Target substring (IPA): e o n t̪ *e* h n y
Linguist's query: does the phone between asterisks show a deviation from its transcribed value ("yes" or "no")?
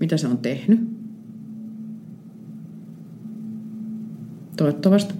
no